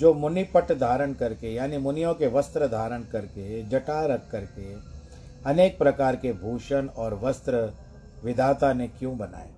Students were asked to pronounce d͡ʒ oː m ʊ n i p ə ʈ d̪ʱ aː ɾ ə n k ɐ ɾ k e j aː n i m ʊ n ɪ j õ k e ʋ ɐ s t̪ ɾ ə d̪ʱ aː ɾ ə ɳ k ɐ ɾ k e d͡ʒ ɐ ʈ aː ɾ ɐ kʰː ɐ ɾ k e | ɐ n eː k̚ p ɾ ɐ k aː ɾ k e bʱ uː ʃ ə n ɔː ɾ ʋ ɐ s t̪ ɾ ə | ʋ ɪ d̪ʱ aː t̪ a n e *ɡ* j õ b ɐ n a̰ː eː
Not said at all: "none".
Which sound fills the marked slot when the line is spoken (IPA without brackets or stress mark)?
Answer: k